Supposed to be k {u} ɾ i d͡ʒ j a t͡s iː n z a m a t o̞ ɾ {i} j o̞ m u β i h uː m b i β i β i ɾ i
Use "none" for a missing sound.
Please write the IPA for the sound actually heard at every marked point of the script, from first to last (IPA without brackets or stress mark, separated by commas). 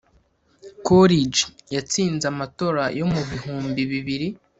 o, a